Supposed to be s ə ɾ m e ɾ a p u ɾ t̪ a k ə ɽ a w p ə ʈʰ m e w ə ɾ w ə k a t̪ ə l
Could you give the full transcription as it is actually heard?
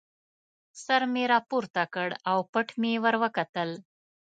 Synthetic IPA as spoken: s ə ɾ m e ɾ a p u ɾ t̪ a k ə ɽ a w p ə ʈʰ m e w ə ɾ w ə k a t̪ ə l